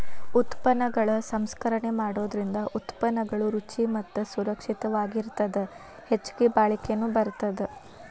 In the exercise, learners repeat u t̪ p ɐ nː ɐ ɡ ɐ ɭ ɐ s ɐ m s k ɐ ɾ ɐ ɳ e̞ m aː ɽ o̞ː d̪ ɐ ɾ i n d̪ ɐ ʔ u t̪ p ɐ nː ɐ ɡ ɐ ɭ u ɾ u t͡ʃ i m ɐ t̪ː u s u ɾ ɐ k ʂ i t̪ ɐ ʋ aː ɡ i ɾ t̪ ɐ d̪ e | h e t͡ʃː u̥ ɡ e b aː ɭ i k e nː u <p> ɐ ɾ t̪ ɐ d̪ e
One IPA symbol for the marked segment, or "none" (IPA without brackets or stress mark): b